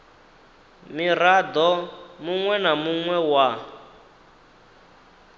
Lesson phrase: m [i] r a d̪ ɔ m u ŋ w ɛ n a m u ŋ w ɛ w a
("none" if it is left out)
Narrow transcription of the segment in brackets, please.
i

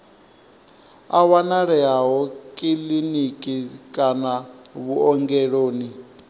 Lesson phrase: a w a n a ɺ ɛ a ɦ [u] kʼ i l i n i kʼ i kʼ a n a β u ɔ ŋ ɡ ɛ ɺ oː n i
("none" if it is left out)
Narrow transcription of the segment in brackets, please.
ɔ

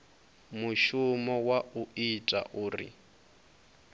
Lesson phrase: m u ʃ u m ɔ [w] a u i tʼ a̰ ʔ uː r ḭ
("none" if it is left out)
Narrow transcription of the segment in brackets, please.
w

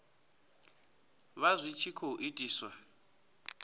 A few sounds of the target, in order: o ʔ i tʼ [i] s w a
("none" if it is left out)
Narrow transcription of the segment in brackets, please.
iː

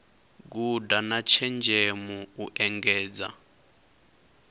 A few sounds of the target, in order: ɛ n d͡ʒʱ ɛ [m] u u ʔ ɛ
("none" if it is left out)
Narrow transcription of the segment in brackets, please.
m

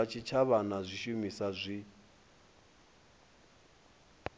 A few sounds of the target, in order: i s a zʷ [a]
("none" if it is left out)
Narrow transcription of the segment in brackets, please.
i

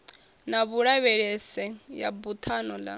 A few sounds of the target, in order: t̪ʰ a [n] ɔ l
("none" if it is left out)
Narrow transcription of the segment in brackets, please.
n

